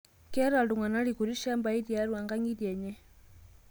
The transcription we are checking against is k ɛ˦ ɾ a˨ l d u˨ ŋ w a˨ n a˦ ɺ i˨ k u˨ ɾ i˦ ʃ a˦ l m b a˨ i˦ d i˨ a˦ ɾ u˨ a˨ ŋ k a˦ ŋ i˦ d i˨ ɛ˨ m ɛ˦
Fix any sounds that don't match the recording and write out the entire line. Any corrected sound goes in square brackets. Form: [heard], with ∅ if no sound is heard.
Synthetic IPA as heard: k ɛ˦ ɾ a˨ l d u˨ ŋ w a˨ n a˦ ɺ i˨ k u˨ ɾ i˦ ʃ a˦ [∅] m b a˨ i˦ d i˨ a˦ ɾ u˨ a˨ ŋ [ɡ] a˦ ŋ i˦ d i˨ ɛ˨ [ɲ] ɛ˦